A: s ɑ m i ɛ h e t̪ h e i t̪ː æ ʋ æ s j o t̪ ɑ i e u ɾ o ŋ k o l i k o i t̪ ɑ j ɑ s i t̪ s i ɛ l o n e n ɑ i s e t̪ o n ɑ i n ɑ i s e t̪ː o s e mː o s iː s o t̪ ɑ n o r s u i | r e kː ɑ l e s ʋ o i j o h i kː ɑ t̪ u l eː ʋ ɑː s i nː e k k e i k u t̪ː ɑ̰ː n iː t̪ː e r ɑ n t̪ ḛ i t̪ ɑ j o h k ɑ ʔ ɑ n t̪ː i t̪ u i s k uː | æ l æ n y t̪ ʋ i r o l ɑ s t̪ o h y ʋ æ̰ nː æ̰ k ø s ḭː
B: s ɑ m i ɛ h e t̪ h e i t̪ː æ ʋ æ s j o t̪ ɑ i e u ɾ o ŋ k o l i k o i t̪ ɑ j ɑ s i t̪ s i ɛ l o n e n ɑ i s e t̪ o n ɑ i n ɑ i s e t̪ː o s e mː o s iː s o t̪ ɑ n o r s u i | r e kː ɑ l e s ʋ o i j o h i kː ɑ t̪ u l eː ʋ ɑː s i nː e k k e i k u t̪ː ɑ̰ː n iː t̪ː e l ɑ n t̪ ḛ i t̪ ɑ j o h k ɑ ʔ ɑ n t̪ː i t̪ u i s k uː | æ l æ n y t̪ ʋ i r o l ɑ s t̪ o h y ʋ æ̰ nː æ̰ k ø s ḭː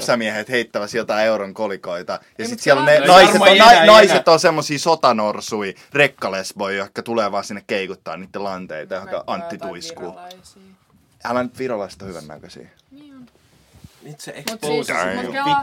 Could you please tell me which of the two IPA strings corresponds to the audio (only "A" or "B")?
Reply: B